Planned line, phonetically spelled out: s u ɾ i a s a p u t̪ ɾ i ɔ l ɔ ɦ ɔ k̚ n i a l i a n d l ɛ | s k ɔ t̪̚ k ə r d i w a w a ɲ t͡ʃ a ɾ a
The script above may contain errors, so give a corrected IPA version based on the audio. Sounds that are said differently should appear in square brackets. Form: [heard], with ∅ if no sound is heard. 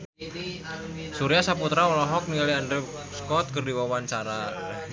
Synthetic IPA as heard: s u ɾ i a s a p u t̪ ɾ [a] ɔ l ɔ ɦ ɔ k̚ n i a l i a n d [ɾ] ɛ | s k ɔ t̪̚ k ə r d i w a w a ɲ t͡ʃ a ɾ a